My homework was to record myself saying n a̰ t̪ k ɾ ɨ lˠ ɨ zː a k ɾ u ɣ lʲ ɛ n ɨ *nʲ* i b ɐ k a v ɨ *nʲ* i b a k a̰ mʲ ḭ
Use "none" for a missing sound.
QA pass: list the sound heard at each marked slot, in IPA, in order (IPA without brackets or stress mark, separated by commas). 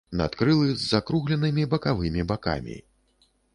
mʲ, mʲ